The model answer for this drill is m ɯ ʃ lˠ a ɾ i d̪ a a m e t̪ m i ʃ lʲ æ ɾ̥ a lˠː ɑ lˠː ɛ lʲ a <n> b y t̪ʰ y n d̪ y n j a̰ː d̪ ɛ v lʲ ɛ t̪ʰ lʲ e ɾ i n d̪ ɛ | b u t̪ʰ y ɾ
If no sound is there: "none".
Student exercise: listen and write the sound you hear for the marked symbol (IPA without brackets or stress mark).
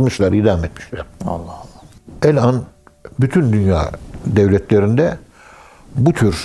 n